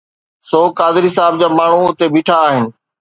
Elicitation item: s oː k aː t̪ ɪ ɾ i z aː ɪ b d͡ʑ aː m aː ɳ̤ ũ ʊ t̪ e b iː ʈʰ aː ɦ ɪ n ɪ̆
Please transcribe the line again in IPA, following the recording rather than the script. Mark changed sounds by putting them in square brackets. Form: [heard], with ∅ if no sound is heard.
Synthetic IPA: s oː k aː [d̪] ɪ ɾ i [s] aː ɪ b d͡ʑ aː m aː ɳ̤ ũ ʊ t̪ e b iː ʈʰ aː ɦ ɪ n ɪ̆